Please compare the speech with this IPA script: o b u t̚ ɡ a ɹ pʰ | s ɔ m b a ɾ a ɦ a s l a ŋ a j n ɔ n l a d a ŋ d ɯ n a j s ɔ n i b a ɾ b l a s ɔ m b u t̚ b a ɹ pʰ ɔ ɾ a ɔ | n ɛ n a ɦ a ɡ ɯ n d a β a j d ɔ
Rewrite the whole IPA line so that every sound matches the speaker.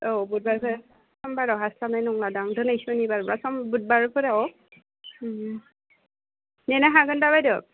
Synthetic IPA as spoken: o b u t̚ b a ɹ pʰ | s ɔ m b a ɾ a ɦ a s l a n a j n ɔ ŋ l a d a ŋ d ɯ n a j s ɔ n i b a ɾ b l a s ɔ m b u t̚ b a ɹ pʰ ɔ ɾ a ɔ | n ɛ n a ɦ a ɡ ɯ n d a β a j d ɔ